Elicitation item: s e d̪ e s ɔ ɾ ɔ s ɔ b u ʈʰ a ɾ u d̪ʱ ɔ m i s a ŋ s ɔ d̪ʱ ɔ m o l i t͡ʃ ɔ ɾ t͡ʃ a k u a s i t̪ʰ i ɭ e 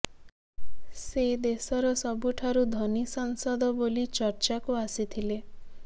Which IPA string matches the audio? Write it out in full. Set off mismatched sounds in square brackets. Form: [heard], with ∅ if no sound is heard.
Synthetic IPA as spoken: s e d̪ e s ɔ ɾ ɔ s ɔ b u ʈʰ a ɾ u d̪ʱ ɔ [n] i s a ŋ s ɔ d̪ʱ ɔ [b] o l i t͡ʃ ɔ ɾ t͡ʃ a k u a s i t̪ʰ i [l] e